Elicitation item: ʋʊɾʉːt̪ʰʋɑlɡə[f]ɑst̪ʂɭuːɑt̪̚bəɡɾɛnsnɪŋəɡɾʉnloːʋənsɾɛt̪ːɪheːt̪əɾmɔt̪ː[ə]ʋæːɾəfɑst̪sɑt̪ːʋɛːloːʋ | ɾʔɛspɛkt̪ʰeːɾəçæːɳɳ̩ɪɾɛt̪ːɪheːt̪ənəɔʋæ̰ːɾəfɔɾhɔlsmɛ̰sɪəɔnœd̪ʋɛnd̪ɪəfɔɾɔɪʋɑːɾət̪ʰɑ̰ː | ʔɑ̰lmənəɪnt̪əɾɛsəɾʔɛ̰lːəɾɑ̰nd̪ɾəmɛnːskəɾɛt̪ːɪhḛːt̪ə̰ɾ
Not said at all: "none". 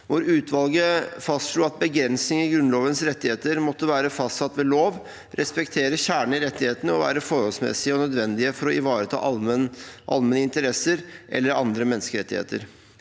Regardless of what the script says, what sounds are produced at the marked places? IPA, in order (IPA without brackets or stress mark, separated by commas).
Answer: f, ə